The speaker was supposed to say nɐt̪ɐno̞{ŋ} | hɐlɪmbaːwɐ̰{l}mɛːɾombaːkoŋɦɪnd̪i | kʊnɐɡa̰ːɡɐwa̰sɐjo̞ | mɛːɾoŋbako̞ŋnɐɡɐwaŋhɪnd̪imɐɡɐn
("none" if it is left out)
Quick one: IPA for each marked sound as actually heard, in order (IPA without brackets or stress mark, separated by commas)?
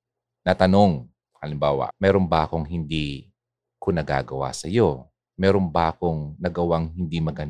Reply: ŋ, none